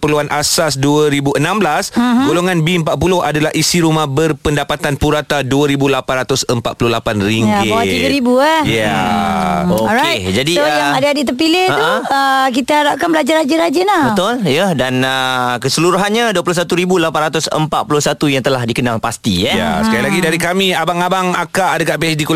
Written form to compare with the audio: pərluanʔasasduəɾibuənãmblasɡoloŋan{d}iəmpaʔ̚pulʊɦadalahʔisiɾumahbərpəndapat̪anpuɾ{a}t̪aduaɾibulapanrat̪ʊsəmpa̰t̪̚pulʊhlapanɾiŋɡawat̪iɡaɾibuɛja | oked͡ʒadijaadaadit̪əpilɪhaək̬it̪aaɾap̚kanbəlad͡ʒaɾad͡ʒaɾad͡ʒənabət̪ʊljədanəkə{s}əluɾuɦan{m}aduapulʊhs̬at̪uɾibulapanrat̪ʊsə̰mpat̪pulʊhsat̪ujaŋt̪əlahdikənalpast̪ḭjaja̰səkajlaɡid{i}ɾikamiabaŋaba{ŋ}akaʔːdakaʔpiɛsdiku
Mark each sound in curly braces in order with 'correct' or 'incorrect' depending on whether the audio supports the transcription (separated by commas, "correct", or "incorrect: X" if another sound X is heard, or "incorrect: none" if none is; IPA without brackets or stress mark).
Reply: incorrect: b, correct, correct, incorrect: ɲ, incorrect: a, correct